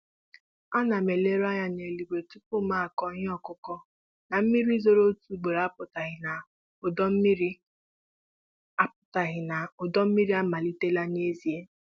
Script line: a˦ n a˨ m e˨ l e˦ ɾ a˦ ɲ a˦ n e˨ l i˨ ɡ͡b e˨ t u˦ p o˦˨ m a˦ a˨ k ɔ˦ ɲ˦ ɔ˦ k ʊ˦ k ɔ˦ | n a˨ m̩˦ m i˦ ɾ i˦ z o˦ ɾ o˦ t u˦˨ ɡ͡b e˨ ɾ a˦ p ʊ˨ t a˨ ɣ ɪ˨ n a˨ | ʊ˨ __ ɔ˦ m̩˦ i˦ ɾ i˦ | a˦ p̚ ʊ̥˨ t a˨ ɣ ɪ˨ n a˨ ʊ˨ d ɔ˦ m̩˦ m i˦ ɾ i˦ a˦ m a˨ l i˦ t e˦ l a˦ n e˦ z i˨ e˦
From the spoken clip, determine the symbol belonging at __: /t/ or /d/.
d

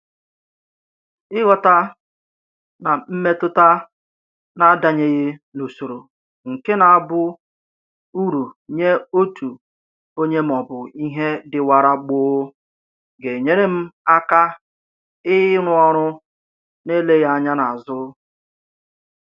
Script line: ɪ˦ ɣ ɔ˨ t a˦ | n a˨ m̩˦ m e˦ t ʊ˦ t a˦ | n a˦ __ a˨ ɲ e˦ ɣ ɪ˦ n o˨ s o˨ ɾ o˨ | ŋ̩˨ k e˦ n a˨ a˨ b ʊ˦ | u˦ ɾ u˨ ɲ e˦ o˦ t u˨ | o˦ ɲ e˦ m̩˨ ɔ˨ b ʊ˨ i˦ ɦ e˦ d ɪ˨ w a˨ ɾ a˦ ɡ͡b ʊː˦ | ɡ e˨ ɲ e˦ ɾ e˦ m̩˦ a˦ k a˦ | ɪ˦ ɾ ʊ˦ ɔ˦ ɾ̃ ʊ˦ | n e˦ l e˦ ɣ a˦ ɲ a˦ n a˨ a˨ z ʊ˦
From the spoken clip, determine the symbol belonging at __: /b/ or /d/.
d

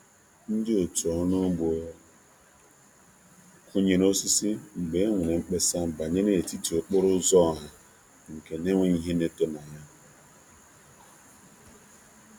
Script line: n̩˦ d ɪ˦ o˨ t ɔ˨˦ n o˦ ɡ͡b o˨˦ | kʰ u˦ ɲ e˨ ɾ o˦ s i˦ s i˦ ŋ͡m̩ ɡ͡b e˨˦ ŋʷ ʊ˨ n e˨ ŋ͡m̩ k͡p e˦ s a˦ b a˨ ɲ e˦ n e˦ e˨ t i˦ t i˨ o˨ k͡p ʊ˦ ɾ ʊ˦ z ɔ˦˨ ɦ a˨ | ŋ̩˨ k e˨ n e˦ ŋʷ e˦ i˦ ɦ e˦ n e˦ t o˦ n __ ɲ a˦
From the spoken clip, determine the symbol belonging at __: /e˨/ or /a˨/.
a˨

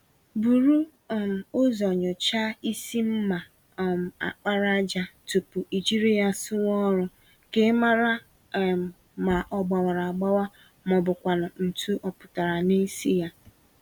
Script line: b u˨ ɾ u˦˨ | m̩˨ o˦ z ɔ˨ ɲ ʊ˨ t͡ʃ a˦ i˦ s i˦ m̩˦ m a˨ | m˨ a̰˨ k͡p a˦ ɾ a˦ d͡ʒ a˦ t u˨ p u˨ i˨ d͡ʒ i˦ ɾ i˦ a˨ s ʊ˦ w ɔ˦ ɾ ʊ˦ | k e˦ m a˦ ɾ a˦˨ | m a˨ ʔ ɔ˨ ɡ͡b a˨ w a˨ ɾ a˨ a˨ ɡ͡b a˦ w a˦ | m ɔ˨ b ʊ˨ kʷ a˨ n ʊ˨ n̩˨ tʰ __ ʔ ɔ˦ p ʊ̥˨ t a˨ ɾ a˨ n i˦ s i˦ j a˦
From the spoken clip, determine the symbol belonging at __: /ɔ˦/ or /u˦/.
u˦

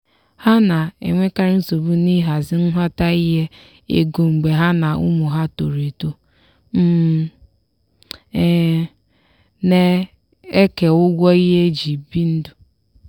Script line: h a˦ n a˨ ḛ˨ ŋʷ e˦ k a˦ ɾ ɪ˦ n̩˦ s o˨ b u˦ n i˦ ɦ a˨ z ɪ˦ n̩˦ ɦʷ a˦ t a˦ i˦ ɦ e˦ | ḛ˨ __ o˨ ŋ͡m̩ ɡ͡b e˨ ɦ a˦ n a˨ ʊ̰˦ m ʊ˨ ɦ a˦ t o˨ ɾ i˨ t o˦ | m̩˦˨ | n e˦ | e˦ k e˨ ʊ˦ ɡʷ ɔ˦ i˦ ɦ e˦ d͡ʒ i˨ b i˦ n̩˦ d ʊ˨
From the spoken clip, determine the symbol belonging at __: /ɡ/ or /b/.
ɡ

